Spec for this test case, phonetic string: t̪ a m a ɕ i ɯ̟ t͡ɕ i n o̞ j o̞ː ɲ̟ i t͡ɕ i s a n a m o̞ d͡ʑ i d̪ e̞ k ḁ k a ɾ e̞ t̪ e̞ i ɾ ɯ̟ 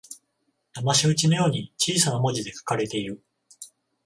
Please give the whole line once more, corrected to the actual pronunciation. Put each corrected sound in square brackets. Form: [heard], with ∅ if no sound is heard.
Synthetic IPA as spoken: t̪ a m a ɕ i ɯ̟ t͡ɕ i n o̞ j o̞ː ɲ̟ i t͡ɕ [iː] s a n a m o̞ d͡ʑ i d̪ e̞ k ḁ k a ɾ e̞ t̪ e̞ i ɾ ɯ̟